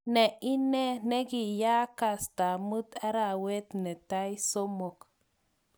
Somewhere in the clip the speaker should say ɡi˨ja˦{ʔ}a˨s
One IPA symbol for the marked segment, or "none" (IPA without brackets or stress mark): k